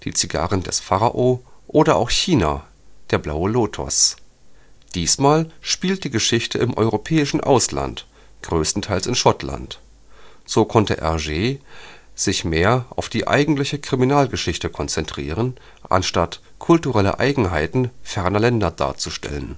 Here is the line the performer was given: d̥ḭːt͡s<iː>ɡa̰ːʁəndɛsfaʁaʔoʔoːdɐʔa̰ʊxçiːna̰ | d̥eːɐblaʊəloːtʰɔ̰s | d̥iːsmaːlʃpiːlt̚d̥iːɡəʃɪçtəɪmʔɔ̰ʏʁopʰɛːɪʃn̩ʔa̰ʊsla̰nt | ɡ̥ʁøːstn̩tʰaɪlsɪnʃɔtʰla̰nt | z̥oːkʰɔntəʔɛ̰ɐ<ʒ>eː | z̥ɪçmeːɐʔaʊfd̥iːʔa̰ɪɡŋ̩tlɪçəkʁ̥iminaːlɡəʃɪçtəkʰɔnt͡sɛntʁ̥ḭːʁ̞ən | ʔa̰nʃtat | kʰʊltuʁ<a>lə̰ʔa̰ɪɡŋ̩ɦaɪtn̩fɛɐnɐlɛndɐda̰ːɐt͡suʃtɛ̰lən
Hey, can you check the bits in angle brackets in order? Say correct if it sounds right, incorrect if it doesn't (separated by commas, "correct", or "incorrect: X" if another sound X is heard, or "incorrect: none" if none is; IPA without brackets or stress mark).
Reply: incorrect: i, correct, incorrect: ɛ